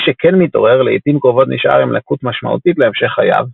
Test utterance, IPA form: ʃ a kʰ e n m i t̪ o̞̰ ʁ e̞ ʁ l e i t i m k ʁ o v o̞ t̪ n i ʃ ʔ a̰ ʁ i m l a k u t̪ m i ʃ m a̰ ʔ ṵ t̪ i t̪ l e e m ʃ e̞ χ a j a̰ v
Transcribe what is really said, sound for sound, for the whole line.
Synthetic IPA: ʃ e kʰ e n m i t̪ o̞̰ ʁ e̞ ʁ l e i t i m k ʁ o v o̞ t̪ n i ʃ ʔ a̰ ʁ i m l a k u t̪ m a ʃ m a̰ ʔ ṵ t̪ i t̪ l e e m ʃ e̞ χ a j a̰ v